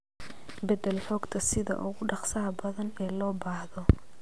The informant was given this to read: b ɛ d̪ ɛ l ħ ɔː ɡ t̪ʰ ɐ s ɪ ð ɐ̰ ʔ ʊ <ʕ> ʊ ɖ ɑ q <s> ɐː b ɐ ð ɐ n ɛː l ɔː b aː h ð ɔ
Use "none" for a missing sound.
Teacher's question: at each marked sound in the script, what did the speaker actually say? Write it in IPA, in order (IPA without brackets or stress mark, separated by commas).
ɣ, s